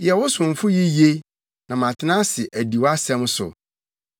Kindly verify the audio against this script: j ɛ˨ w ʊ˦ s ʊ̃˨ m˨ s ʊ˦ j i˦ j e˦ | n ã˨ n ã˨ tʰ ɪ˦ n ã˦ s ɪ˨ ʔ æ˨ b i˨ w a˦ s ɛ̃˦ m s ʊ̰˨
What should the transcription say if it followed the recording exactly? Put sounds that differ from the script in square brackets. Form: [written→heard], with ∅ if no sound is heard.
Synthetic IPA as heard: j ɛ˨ w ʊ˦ s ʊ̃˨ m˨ [s→f] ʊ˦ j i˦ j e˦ | n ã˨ [n→m] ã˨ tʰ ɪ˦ n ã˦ s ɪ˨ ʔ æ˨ [b→d] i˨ w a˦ s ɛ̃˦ m s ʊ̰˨